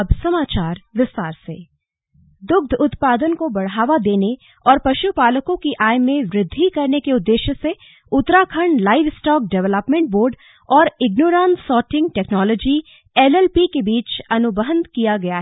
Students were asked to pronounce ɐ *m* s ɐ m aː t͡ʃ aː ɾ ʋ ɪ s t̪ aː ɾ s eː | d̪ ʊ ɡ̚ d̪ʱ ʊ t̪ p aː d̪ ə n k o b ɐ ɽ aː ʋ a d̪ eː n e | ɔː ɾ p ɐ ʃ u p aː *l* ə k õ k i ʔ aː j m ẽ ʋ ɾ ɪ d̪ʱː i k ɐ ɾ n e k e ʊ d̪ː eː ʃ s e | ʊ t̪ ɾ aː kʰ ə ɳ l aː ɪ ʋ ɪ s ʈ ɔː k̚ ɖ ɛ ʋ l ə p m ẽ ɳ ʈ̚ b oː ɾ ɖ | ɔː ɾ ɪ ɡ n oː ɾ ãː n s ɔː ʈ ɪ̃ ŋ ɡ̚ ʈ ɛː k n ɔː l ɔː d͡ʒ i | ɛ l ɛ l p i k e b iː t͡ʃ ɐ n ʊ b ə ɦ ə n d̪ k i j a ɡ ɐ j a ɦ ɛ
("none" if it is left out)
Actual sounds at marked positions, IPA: b, l

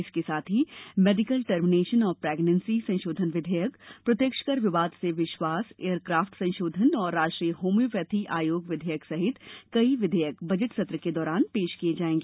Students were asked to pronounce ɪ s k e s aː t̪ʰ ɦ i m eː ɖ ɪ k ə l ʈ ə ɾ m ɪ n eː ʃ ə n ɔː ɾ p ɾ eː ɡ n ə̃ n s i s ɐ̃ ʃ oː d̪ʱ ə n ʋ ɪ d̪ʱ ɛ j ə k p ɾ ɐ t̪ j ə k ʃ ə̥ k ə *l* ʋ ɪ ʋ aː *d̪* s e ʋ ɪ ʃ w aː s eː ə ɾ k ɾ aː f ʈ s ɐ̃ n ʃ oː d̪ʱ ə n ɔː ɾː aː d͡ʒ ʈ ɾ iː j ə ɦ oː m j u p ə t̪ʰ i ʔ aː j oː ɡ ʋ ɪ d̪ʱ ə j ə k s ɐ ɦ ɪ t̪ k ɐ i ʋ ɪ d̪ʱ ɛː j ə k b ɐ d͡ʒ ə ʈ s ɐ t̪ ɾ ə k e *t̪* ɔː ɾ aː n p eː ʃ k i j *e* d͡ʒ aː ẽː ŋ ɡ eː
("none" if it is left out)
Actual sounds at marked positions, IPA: ɾ, d̪, d̪, e

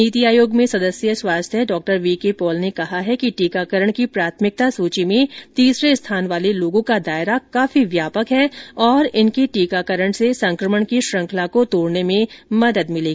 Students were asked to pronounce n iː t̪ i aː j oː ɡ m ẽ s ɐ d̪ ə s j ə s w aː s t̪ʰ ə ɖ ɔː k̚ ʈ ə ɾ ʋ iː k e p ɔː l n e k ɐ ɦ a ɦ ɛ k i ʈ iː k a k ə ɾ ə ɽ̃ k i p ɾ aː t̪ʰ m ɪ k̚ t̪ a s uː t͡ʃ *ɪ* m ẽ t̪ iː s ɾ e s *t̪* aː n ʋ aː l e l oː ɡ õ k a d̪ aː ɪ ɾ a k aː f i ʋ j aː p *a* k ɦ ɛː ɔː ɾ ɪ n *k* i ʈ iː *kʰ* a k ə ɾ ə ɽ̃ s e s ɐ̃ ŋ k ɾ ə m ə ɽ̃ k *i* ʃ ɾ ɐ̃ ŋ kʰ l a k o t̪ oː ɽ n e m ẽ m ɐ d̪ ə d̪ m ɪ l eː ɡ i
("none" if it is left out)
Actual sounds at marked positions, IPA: i, t̪ʰ, ə, k, k, i

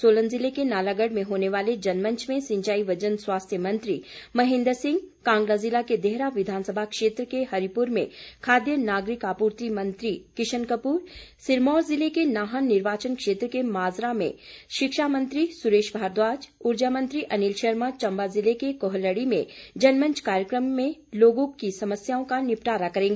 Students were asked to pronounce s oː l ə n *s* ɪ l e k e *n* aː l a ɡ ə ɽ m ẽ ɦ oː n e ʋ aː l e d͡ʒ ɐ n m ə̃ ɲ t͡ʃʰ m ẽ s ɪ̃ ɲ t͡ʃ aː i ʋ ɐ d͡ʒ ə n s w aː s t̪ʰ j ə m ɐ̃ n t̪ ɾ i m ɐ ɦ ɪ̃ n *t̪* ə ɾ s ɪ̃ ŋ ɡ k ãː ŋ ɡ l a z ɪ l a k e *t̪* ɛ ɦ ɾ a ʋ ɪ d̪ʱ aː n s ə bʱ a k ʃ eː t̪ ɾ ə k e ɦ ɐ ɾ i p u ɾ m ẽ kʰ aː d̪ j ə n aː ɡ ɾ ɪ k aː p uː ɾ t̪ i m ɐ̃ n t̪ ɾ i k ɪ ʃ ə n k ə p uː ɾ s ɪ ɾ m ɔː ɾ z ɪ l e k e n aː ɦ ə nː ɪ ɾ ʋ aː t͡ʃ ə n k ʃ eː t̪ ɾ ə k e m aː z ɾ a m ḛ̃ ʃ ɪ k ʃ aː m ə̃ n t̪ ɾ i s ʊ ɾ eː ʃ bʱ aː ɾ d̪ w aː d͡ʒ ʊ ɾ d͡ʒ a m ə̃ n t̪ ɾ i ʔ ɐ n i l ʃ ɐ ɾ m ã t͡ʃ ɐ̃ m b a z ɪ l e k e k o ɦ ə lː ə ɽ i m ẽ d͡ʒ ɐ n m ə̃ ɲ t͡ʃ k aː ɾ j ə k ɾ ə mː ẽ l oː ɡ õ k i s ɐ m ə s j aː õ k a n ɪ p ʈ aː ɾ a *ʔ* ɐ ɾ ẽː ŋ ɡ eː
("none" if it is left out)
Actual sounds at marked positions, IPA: z, n, d̪, d̪, k

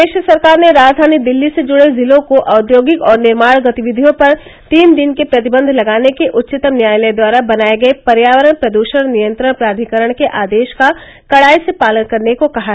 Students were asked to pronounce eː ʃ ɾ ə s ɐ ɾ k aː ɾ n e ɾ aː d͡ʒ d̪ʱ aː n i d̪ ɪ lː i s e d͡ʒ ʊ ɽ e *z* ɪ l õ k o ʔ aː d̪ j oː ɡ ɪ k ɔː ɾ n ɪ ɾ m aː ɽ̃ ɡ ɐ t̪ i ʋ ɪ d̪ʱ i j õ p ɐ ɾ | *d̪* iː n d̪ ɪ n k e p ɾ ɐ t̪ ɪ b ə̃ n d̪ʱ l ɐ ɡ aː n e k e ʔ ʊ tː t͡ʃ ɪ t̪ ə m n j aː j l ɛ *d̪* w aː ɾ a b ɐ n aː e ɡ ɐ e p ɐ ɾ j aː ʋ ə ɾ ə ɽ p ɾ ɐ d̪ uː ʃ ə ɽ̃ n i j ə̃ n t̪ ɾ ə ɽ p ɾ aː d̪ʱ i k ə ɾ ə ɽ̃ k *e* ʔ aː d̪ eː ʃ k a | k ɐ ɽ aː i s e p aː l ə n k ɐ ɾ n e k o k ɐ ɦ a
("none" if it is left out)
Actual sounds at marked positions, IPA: z, t̪, d̪, e

